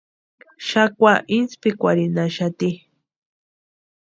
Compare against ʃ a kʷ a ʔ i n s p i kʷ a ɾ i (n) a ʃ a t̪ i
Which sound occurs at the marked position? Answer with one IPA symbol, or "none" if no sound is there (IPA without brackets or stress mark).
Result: n